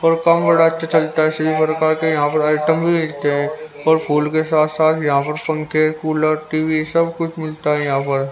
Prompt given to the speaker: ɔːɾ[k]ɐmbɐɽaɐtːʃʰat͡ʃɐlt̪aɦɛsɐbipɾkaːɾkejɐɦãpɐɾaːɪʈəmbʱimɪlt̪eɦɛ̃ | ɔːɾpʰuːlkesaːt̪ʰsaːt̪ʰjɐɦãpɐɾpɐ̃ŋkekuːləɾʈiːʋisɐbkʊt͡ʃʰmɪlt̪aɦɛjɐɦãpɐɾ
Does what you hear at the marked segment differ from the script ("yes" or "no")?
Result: no